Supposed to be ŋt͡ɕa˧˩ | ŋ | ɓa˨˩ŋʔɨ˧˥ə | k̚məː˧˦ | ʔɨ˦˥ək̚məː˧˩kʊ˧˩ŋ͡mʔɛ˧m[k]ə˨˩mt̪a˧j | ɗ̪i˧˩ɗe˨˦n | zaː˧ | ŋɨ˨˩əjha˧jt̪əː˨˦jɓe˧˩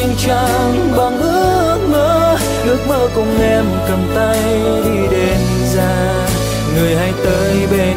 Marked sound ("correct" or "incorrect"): correct